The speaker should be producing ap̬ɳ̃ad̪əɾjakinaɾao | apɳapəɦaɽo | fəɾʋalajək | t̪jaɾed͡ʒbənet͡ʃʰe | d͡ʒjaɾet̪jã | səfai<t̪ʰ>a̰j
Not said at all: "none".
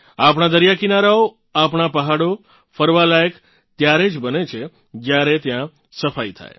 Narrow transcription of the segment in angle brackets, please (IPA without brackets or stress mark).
t̪ʰ